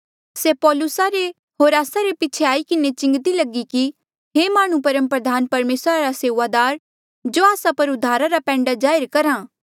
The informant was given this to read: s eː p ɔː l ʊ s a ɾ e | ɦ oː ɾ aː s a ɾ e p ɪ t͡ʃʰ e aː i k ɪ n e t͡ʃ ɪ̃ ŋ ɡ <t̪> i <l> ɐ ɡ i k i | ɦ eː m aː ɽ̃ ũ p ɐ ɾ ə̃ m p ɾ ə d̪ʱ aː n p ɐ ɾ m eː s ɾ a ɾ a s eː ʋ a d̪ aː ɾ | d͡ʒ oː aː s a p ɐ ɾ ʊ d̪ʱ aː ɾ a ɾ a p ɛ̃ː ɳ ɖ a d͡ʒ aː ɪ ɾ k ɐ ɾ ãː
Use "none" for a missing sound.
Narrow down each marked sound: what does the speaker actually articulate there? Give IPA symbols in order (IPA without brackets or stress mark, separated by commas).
t̪, l